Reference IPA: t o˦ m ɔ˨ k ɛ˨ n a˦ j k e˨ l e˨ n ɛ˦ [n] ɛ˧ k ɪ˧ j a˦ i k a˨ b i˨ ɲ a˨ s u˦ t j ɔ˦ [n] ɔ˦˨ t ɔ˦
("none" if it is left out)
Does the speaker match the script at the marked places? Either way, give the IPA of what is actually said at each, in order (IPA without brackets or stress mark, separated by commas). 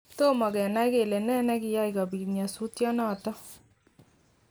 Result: n, n